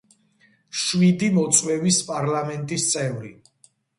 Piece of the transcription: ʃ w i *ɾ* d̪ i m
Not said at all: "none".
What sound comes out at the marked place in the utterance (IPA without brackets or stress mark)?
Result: none